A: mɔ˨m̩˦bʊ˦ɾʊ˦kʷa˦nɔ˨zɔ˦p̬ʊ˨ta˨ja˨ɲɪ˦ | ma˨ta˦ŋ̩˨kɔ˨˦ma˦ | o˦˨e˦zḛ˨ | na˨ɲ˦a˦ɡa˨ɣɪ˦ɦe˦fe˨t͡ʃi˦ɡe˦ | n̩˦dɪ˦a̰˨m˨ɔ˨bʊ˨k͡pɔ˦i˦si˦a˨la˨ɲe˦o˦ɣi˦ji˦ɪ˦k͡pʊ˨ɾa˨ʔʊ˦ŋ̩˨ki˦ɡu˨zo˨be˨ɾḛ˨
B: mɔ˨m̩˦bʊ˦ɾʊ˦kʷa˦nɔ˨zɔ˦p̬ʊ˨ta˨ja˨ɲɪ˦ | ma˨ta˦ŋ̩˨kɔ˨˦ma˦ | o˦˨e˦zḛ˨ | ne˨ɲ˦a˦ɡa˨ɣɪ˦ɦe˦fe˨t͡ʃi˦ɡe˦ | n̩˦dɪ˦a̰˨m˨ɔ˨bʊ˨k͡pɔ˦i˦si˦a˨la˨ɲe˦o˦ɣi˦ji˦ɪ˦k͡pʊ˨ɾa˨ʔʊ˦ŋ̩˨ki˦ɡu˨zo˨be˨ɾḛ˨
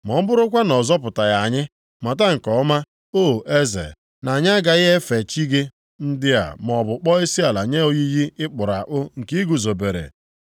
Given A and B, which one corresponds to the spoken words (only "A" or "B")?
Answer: A